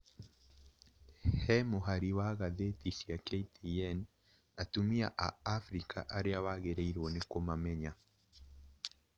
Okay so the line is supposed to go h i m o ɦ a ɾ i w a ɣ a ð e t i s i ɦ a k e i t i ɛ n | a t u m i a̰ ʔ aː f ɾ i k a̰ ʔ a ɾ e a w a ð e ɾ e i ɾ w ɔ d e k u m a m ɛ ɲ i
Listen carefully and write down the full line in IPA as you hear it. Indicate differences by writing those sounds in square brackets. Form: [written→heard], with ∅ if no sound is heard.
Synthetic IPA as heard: h [i→ɛ] m o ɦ a ɾ i w a ɣ a ð e t i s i [ɦ→∅] a k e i t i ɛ n | a t u m i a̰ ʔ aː f ɾ i k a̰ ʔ a ɾ e a w a [ð→ɣ] e ɾ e i ɾ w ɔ [d→n] e k [u→o] m a m ɛ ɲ [i→a]